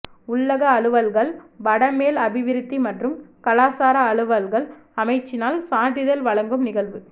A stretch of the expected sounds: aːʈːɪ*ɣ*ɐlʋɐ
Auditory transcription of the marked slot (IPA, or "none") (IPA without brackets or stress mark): ð